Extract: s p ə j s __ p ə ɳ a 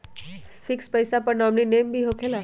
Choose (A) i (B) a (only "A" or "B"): B